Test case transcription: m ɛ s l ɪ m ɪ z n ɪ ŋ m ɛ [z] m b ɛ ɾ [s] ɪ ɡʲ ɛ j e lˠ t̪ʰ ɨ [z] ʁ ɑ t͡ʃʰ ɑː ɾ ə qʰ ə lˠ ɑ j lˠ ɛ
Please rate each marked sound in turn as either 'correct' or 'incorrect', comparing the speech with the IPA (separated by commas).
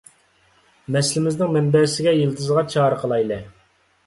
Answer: incorrect, correct, correct